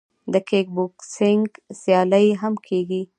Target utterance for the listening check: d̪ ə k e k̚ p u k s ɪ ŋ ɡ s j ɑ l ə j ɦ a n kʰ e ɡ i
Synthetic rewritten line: d̪ ə k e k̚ b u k s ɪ ŋ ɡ s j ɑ l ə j ɦ a m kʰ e ɡ i